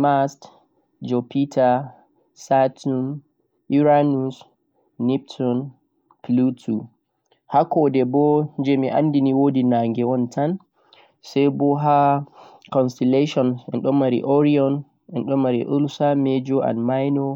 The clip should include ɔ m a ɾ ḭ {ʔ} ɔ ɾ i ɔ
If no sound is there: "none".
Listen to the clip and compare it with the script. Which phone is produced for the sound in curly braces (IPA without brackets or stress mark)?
ʔ